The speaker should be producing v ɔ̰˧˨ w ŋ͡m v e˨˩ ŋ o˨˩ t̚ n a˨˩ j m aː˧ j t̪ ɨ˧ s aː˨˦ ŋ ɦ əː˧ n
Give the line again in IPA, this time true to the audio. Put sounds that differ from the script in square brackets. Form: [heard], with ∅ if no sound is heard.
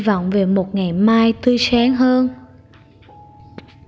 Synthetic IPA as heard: v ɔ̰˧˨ w ŋ͡m v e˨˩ [m] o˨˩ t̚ [ŋ] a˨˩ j m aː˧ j t̪ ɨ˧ s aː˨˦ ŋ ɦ əː˧ n